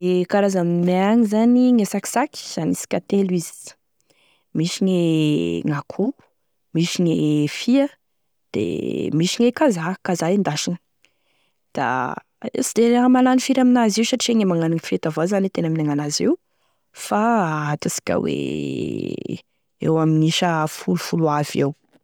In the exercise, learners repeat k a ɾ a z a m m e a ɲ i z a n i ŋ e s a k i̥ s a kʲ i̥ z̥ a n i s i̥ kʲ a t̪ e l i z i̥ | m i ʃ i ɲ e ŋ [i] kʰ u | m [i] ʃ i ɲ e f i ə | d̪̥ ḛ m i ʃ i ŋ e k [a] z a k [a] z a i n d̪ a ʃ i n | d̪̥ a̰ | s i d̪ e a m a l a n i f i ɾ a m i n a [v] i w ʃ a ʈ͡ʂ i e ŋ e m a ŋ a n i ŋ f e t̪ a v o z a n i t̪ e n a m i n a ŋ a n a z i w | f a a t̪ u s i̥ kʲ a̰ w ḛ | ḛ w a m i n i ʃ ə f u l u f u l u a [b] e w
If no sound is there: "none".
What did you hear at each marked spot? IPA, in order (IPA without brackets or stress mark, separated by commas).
a, i, a, a, z, v